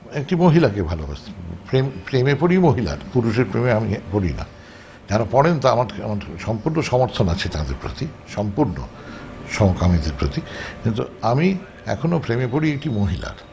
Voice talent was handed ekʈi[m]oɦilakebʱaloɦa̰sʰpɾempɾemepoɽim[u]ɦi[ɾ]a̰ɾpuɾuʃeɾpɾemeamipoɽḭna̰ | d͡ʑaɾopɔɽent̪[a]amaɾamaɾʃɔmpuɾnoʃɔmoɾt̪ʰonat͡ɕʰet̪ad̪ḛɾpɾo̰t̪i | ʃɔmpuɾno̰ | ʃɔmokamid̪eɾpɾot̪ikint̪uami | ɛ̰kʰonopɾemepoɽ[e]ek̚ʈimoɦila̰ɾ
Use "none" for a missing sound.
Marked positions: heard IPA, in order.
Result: m, o, l, a, i

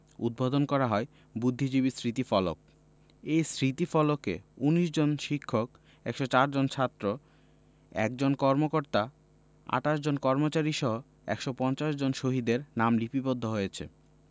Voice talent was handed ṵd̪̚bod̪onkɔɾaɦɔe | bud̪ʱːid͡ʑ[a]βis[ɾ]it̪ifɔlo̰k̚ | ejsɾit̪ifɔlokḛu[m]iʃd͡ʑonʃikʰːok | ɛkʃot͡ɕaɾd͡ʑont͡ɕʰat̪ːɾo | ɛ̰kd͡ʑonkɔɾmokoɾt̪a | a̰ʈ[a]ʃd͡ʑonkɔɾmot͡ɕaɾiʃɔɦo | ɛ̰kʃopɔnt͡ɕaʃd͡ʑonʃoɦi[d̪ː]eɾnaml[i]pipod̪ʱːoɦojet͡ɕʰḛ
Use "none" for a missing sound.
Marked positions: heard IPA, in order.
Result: i, ɾ, n, a, d̪, i

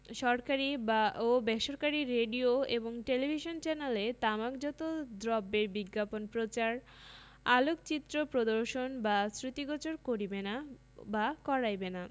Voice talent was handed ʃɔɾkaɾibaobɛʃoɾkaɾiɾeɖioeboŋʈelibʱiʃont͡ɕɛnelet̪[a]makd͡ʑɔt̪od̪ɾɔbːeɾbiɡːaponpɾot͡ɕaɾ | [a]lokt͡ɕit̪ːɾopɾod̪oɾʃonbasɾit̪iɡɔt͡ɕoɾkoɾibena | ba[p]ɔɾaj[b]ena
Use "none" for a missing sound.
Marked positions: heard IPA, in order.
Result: a, a, k, b

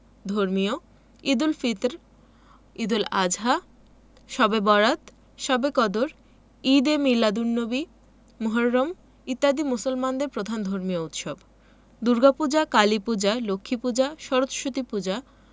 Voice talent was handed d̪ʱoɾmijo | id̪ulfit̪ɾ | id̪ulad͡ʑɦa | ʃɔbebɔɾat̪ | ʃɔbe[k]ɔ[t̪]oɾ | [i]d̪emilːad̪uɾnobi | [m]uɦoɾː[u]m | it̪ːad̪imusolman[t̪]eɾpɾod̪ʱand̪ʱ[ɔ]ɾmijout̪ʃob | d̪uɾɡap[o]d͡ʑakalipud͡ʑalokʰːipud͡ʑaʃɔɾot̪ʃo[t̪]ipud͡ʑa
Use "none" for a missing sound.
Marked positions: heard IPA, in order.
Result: k, d̪, i, m, o, d̪, o, u, t̪

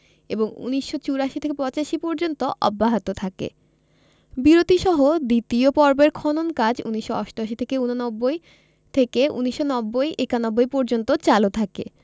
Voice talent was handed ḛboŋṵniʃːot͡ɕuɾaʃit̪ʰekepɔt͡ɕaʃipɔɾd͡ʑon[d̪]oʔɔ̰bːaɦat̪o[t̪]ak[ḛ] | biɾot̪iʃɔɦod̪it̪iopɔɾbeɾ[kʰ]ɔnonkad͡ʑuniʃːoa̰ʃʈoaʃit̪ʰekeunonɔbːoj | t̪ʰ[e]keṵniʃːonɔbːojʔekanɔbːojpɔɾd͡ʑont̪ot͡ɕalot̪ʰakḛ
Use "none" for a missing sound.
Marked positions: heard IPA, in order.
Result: t̪, t̪ʰ, ḛ, kʰ, e

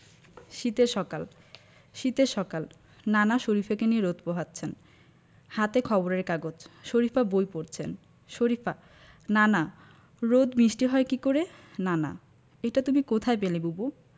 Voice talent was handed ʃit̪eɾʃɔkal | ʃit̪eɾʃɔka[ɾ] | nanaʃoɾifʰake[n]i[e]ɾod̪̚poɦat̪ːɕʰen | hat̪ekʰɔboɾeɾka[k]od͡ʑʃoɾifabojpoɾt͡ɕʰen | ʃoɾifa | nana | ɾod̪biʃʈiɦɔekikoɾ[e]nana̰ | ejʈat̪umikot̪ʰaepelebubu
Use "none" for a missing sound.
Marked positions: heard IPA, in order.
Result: l, n, e, ɡ, e

